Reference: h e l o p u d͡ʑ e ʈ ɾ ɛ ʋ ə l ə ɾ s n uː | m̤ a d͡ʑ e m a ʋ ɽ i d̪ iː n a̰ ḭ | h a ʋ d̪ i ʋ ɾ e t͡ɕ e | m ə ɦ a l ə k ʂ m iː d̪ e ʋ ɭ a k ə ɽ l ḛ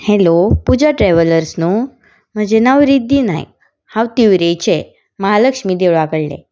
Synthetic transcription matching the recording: h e l o p u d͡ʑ a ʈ ɾ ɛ ʋ ə l ə ɾ s n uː | m̤ ə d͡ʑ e n a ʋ ɾ i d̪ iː n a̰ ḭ | h a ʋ t̪ i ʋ ɾ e t͡ɕ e | m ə ɦ a l ə k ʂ m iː d̪ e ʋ ɭ a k ə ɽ l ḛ